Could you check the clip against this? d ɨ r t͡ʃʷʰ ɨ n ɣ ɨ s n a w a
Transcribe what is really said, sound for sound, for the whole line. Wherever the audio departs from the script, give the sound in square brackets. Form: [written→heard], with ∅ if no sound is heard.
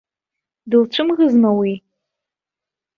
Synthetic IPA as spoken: d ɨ [r→l] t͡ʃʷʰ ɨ [n→m] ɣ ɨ [s→z] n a w [a→i]